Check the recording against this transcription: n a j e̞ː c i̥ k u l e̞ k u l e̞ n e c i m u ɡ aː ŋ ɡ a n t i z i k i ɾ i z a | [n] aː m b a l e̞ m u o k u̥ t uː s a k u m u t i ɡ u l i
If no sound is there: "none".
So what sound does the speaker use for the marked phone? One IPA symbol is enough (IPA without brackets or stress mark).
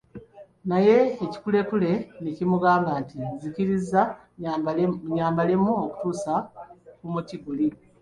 ɲ